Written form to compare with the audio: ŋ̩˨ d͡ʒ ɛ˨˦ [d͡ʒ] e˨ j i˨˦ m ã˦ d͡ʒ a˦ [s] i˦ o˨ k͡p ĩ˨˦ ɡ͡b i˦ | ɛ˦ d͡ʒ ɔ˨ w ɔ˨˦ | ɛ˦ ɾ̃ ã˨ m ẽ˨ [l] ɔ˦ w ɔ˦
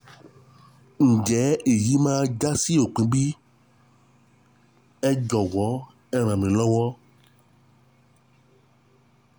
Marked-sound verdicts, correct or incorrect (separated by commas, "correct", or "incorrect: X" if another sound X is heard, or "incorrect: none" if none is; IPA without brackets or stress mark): incorrect: none, correct, correct